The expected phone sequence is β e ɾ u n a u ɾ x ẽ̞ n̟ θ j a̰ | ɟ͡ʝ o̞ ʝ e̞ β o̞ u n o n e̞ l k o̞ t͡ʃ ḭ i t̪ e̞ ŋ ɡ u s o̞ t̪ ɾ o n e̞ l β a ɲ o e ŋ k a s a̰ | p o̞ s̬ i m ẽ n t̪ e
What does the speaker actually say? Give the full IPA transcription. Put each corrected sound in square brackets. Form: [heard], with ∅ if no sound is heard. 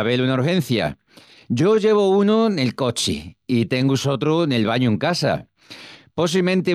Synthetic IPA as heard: β e [l] u n a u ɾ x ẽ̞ n̟ θ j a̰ | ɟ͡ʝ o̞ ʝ e̞ β o̞ u n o n e̞ l k o̞ t͡ʃ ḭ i t̪ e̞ ŋ ɡ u s o̞ t̪ ɾ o n e̞ l β a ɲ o e ŋ k a s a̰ | p o̞ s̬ i m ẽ n t̪ e